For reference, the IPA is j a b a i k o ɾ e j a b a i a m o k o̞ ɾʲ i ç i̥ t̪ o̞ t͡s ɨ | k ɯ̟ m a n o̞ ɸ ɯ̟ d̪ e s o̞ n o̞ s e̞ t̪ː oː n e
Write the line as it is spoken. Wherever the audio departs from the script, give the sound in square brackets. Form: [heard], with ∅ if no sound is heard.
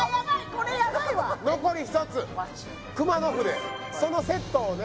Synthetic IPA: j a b a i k o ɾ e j a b a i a [n] o k o̞ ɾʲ i ç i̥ t̪ o̞ t͡s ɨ | k ɯ̟ m a n o̞ ɸ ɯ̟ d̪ e s o̞ n o̞ s e̞ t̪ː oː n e